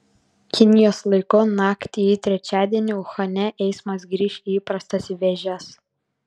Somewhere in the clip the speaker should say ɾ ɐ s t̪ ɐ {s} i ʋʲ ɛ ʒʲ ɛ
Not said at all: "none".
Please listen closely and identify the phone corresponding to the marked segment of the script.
s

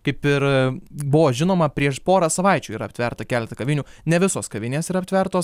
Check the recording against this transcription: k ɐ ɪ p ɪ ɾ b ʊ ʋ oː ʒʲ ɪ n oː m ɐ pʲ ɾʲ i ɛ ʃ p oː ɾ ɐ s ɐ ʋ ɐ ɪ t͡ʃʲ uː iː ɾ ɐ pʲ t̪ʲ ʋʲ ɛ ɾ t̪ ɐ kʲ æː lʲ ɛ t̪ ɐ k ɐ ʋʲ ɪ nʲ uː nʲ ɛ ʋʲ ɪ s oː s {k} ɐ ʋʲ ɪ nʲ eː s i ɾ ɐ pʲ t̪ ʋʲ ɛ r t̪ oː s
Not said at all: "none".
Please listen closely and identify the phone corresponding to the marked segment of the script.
k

